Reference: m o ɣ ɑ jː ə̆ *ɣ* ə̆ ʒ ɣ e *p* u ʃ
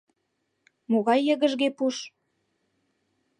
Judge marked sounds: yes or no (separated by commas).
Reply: yes, yes